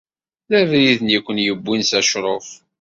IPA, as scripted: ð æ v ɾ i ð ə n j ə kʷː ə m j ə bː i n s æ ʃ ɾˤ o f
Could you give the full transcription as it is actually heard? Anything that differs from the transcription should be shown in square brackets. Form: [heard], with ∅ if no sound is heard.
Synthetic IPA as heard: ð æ v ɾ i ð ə n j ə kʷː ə [n] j ə bː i n s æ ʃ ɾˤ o f